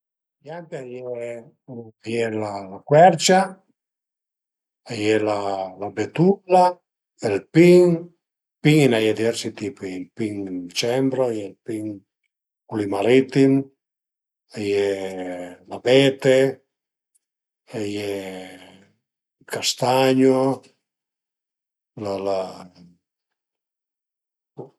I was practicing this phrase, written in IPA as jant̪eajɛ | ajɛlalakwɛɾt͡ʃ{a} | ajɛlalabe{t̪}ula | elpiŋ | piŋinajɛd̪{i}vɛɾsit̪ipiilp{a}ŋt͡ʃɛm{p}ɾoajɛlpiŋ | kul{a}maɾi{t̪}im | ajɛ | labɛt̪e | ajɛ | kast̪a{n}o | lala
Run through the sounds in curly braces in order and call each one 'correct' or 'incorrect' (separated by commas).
correct, correct, correct, incorrect, incorrect, incorrect, correct, incorrect